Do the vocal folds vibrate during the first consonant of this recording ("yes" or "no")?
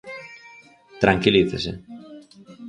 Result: no